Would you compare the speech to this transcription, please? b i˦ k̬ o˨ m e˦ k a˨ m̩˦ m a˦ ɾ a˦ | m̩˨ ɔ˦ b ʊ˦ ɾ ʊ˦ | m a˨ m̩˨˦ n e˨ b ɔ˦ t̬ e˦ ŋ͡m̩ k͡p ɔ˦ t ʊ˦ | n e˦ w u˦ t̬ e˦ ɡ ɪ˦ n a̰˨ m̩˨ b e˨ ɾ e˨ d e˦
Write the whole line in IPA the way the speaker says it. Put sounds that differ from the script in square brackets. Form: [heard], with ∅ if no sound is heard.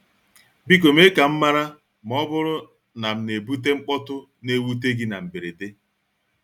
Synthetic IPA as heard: b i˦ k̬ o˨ m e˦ k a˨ m̩˦ m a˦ ɾ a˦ | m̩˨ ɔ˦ b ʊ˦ ɾ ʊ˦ | [n] a˨ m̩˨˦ n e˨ b [u˦] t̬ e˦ ŋ͡m̩ k͡p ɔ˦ t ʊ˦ | n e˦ w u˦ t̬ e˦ ɡ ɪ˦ n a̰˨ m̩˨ b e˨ ɾ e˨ d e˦